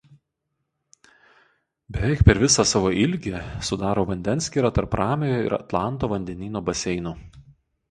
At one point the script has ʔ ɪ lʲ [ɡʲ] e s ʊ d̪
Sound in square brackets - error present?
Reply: no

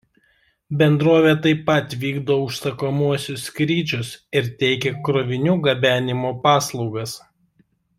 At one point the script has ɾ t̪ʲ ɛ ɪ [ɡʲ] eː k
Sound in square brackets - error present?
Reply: yes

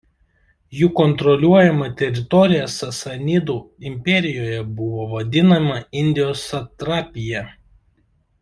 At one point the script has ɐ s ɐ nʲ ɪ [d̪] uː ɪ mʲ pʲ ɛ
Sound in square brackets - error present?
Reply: no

